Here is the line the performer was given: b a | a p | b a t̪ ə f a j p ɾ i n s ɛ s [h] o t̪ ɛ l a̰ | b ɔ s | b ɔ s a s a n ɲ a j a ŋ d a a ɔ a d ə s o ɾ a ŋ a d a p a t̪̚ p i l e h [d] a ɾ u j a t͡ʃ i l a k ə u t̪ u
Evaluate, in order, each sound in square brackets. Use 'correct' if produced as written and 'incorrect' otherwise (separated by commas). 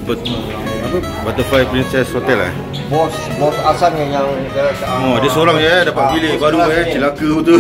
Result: correct, incorrect